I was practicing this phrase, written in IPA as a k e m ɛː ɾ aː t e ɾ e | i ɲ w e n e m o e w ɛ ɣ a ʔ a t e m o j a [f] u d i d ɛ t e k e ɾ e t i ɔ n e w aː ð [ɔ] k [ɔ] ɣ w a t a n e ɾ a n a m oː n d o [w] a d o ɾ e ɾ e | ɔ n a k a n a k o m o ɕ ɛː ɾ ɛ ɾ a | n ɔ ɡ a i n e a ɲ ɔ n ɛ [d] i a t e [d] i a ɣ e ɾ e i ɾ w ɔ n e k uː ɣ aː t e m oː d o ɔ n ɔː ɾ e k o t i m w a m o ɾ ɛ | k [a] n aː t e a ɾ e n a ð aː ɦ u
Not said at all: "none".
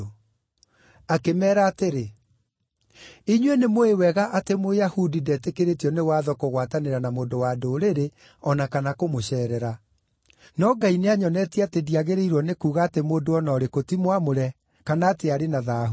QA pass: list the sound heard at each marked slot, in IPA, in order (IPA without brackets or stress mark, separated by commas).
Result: h, ɔ, o, w, t, d, a